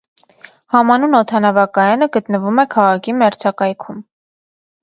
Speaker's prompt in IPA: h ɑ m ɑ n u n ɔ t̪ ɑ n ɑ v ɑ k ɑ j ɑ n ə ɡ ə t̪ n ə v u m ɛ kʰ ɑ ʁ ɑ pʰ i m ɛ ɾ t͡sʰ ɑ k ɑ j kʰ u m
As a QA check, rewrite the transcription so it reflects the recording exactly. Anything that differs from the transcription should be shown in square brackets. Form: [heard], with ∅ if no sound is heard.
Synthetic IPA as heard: h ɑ m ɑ n u n ɔ [t̪ʰ] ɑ n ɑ v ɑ k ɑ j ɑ n ə ɡ ə t̪ n ə v u m ɛ kʰ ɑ ʁ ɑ [kʰ] i m ɛ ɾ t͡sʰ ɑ k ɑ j kʰ u m